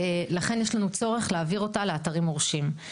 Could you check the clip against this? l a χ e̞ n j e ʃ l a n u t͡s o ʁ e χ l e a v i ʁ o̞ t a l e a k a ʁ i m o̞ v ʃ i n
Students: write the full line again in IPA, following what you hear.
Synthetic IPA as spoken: l a χ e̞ n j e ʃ l a n u t͡s o ʁ e χ l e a v i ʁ o̞ t a l e a t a ʁ i m o̞ ʁ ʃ i m

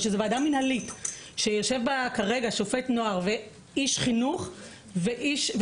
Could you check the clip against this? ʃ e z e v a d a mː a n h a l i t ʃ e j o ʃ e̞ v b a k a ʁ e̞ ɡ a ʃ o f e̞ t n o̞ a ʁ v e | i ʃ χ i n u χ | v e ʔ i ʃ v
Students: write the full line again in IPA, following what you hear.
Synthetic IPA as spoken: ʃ e z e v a d a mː i n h a l i t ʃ e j o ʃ e̞ v b a k a ʁ e̞ ɡ a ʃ o f e̞ t n o̞ a ʁ v e | i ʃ χ i n u χ | v e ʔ i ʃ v

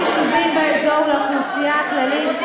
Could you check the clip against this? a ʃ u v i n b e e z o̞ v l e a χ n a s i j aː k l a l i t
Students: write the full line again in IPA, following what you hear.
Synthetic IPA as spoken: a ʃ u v i m b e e z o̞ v l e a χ n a s i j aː k l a l i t

